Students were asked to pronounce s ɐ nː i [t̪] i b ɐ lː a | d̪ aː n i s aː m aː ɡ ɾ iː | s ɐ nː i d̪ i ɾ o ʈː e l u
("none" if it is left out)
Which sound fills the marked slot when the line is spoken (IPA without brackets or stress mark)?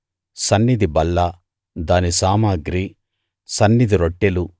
d̪